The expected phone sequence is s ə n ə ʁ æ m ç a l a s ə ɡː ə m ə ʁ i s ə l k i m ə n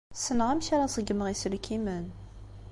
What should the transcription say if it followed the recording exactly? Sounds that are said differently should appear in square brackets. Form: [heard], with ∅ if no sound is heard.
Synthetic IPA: s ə n ə ʁ æ m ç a [ɾ] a s ə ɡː ə m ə ʁ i s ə l k i m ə n